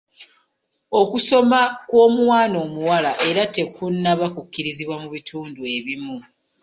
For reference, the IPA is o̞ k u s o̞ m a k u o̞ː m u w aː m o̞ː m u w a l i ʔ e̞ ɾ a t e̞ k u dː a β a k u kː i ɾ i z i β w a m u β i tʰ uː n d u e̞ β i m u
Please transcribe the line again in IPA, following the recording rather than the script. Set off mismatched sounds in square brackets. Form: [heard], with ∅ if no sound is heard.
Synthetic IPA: o̞ k u s o̞ m a k [w] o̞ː m u w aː [n] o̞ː m u w a l [a] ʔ e̞ ɾ a t e̞ k u [nː] a β a k u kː i ɾ i z i β w a m u β i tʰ uː n d u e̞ β i m u